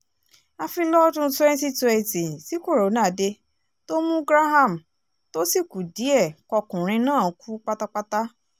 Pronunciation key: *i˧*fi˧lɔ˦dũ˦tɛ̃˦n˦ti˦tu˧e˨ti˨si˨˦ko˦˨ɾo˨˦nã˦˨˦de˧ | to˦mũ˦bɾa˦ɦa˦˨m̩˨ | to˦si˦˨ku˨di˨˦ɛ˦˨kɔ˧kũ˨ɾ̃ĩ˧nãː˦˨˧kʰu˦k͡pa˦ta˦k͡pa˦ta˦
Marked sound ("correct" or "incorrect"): incorrect